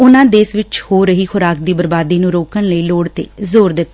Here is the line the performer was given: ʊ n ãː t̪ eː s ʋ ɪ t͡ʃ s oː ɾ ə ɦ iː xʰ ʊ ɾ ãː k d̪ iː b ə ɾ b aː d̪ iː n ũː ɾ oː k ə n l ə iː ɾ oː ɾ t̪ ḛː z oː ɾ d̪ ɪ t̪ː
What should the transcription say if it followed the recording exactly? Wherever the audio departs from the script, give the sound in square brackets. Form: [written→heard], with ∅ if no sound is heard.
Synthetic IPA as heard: ʊ n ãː [t̪→d̪] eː s ʋ ɪ t͡ʃ [s→h] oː ɾ ə ɦ iː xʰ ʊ ɾ [ãː→aː] k d̪ iː b ə ɾ b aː d̪ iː n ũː ɾ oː k ə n l ə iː [ɾ→l] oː [ɾ→ɽ] t̪ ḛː z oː ɾ d̪ ɪ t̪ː

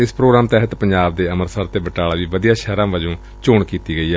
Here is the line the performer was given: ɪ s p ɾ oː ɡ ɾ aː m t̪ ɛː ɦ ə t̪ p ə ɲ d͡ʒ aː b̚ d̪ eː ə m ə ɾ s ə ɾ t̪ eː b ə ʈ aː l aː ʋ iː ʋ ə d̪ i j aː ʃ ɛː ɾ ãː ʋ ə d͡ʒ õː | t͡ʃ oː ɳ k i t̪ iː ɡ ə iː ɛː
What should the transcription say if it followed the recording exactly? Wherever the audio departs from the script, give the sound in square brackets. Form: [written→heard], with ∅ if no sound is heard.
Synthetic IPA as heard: ɪ s p ɾ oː ɡ ɾ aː m t̪ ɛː ɦ ə t̪ p ə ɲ d͡ʒ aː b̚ d̪ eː ə m ə ɾ s ə ɾ t̪ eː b ə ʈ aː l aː ʋ iː ʋ ə d̪ i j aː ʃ ɛː ɾ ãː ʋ ə d͡ʒ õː | t͡ʃ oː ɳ k [i→iː] t̪ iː ɡ ə iː ɛː

